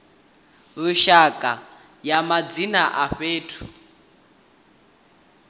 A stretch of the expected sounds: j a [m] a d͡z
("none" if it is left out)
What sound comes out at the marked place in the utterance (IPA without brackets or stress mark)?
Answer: m